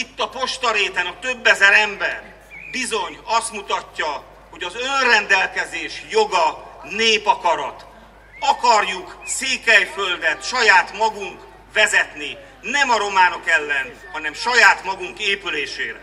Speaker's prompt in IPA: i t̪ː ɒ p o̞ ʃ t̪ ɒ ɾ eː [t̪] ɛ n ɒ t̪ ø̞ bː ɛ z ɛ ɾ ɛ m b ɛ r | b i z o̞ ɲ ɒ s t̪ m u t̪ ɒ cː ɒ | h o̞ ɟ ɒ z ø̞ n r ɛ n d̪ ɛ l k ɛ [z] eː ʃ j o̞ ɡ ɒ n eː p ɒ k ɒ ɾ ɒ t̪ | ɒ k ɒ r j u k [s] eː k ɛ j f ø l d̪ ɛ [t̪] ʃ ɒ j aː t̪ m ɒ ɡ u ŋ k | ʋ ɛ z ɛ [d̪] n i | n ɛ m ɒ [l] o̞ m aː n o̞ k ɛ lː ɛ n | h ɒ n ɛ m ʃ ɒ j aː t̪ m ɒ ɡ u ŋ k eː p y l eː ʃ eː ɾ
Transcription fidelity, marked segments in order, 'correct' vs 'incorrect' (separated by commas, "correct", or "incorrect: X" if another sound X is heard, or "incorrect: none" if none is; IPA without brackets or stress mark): correct, correct, correct, correct, incorrect: t̪, incorrect: ɾ